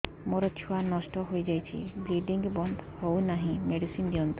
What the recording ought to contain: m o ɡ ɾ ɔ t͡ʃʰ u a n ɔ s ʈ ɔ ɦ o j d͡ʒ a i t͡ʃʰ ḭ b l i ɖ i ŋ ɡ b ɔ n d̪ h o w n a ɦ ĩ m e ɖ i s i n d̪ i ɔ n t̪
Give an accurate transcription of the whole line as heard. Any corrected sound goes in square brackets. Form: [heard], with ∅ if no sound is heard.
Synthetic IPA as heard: m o [∅] ɾ ɔ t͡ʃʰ u a n ɔ s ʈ ɔ ɦ o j d͡ʒ a [j] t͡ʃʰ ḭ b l i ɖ i ŋ ɡ b ɔ n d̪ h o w n a ɦ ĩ m e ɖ i s i n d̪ i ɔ n t̪

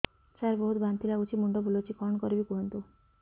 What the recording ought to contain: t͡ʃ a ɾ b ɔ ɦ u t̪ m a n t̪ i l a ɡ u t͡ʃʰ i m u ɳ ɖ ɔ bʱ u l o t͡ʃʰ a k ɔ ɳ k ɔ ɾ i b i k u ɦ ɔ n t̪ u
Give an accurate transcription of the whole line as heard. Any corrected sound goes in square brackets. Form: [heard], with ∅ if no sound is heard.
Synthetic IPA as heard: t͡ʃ a ɾ b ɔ ɦ u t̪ [b] a n t̪ i l a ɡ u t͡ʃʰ i m u ɳ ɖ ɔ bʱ u l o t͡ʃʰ [i] k ɔ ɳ k ɔ ɾ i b i k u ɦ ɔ n t̪ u

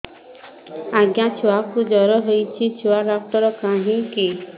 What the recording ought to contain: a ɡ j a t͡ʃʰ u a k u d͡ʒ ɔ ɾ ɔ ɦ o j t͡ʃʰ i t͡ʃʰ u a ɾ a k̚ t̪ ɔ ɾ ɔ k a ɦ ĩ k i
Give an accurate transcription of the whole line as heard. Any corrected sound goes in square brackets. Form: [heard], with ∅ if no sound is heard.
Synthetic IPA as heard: a ɡ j a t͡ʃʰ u a k u d͡ʒ ɔ ɾ ɔ ɦ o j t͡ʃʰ i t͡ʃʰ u a ɾ a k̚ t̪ ɔ ɾ ɔ k a ɦ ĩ k i

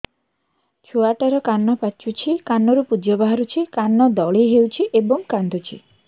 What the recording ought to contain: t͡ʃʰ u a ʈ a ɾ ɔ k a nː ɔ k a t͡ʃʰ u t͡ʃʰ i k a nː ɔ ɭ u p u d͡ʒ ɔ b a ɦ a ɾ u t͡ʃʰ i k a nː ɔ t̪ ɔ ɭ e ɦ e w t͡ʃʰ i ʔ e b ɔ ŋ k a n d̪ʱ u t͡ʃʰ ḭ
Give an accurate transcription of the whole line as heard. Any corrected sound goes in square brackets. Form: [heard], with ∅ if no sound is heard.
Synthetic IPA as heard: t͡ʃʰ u a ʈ a ɾ ɔ k a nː ɔ [p] a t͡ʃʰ u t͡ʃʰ i k a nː ɔ [ɾ] u p u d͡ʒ ɔ b a ɦ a ɾ u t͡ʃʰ i k a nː ɔ [d̪] ɔ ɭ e ɦ e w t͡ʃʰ i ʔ e b ɔ ŋ k a n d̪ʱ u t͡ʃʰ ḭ

